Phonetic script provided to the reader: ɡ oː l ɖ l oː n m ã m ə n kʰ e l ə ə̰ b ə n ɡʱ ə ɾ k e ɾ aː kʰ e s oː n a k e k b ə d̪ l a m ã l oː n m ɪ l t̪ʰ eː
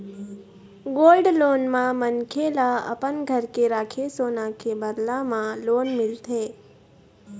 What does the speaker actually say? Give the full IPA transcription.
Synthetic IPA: ɡ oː l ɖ l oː n m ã m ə n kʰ e l a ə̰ p ə n ɡʱ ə ɾ k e ɾ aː kʰ e s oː n a k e b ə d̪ l a m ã l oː n m ɪ l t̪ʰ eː